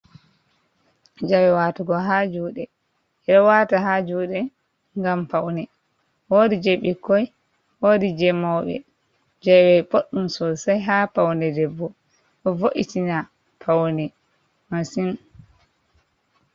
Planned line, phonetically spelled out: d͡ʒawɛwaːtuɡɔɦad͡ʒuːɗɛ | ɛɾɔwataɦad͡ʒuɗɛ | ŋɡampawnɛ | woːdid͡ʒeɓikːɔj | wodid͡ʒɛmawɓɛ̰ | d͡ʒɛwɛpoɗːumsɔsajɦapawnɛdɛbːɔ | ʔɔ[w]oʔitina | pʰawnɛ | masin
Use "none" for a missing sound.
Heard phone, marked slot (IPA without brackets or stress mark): v